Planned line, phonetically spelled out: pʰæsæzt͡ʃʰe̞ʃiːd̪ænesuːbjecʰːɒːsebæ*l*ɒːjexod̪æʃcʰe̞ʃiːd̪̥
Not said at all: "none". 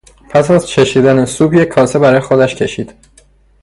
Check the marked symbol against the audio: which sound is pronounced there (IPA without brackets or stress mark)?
ɾ